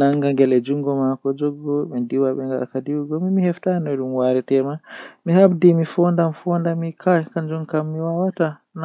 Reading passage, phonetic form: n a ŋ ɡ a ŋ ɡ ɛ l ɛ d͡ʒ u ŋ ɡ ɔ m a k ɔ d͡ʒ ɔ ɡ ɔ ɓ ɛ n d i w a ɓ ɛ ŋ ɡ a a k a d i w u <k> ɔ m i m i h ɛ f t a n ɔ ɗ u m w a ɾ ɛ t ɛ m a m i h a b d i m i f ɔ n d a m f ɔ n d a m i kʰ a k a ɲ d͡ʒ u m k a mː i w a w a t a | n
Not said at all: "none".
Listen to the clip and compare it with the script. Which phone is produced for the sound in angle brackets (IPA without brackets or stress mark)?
ɡ